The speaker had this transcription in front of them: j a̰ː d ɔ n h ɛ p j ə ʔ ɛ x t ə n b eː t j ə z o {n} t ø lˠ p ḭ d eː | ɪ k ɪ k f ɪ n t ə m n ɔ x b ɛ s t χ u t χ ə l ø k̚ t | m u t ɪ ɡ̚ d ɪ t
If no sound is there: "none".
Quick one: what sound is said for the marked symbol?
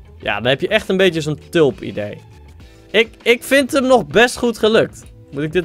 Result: n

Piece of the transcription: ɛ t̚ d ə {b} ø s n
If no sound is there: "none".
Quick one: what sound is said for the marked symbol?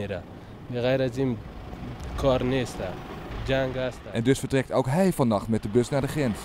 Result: b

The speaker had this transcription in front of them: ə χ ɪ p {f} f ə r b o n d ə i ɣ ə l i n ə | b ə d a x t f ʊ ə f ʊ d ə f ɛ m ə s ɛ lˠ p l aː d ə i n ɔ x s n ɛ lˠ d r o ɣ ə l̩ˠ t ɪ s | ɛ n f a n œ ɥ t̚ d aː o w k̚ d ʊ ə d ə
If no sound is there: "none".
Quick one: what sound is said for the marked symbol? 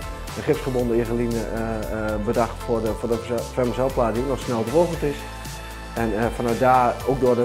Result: s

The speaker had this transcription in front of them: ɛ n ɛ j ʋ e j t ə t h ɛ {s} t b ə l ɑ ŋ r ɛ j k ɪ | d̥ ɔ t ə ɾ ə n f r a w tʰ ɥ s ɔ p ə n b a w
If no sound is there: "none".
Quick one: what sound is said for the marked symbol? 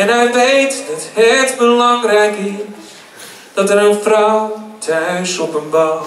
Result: none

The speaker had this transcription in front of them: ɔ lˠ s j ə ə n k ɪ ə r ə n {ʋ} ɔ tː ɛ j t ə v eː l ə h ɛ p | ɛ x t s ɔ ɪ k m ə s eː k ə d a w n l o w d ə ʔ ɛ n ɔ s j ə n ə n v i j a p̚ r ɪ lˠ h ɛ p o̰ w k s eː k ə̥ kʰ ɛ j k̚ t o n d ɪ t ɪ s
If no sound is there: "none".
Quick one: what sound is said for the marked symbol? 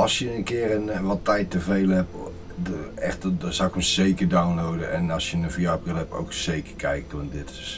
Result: ʋ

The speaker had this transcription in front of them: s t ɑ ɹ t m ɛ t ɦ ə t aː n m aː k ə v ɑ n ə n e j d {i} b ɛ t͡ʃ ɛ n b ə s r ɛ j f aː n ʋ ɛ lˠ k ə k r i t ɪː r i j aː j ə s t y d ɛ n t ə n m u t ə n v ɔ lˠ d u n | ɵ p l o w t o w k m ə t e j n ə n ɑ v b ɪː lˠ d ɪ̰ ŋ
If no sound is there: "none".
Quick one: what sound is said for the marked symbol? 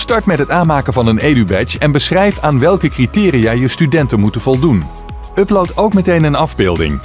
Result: y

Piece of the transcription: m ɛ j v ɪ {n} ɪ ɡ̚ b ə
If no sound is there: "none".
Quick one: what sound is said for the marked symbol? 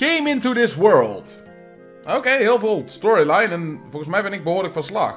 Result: n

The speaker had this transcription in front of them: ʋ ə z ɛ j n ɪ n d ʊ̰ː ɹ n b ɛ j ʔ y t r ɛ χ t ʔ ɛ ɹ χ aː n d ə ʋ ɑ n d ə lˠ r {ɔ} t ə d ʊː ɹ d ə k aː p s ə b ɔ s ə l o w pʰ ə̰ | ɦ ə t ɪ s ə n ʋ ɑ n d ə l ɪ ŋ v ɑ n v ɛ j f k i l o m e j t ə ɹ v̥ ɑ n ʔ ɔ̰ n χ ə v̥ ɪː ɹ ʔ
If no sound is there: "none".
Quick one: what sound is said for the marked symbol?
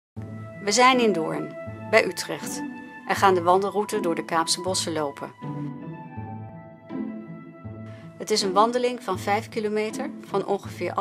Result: u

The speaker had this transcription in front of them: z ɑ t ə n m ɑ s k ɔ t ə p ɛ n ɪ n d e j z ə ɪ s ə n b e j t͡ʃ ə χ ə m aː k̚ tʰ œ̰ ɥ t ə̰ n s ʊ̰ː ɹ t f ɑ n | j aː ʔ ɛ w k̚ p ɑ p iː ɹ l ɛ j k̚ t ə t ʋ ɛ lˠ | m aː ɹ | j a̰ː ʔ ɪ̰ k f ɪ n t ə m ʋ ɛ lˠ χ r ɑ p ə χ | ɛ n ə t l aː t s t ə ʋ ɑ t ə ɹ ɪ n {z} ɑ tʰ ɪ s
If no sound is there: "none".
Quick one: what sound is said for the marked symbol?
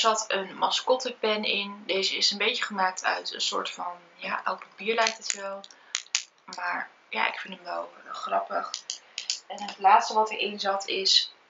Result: z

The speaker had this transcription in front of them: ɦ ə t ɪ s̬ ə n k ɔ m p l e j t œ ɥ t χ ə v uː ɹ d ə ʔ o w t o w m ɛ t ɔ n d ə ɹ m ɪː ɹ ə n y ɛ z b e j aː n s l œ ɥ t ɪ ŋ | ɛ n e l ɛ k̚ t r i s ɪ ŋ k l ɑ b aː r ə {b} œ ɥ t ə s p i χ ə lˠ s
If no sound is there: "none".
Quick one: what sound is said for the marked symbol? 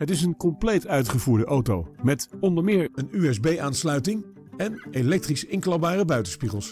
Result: b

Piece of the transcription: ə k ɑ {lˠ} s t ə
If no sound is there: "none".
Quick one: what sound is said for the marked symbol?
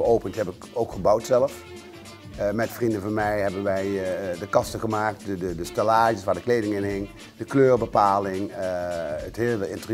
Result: none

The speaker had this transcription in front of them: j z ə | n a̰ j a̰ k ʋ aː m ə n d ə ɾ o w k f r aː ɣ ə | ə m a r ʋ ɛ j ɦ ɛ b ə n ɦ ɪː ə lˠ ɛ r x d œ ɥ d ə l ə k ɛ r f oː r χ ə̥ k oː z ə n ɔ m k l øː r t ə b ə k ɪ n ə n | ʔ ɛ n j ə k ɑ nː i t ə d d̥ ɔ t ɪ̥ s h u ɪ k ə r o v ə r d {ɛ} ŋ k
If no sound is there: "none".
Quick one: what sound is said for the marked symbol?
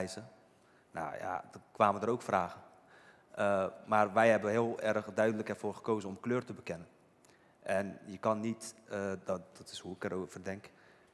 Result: ɛ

